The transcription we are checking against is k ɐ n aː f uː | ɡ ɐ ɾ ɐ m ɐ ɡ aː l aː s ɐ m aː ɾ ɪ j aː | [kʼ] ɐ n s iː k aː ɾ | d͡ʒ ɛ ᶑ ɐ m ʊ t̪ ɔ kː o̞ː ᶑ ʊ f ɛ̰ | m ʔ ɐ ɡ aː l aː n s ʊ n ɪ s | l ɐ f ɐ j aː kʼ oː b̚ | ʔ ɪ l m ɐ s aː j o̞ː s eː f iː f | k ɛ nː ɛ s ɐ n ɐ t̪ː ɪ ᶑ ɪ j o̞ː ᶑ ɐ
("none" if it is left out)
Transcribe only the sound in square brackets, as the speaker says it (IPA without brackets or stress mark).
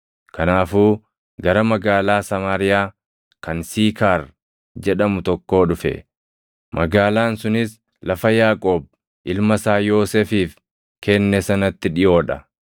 k